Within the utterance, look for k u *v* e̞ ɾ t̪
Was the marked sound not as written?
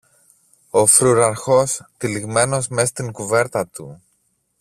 no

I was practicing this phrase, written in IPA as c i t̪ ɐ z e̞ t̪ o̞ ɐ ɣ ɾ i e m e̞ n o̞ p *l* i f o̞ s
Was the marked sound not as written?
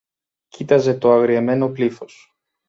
no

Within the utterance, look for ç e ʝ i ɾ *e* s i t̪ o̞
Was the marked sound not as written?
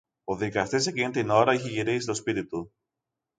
yes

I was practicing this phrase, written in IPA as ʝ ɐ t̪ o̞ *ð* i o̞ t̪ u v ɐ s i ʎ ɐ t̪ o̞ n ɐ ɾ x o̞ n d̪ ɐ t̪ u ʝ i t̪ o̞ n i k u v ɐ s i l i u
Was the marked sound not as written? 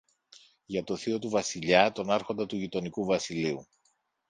yes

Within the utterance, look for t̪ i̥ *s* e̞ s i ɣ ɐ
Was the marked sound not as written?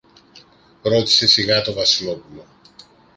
no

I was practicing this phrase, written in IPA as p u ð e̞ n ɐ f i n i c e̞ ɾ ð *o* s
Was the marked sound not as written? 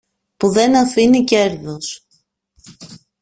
no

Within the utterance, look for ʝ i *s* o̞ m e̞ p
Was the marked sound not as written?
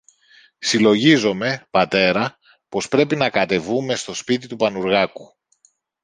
yes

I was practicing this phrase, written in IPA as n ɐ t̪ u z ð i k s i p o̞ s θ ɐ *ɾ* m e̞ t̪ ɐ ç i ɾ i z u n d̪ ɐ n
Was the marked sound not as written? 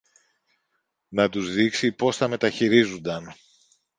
yes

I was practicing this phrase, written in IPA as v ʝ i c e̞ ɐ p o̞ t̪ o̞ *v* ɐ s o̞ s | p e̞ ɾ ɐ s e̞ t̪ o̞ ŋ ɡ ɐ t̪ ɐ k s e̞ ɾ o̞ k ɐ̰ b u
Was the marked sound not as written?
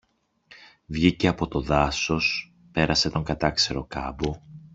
yes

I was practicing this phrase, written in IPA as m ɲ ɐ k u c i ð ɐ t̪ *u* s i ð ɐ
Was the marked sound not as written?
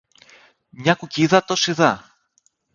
yes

